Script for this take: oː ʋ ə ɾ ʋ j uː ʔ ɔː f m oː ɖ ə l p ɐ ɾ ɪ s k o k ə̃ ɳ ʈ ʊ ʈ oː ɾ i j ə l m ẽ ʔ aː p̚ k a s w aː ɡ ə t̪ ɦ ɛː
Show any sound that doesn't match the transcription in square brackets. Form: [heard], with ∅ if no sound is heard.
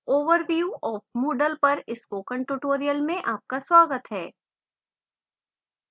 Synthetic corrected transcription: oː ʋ ə ɾ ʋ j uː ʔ ɔː f m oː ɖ ə l p ɐ ɾ ɪ s k o k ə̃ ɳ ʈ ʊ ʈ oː ɾ i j ə l m ẽ ʔ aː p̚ k a s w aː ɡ ə t̪ ɦ ɛː